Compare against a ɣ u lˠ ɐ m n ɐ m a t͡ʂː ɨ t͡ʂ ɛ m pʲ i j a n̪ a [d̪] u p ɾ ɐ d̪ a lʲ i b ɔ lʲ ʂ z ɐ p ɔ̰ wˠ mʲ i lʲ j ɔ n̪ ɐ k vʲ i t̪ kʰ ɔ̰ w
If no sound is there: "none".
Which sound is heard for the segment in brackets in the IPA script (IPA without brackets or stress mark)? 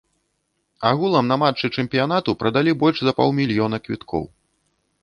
t̪